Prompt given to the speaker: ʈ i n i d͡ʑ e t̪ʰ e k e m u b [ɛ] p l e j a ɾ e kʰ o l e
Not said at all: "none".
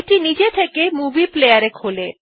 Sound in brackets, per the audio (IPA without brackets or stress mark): i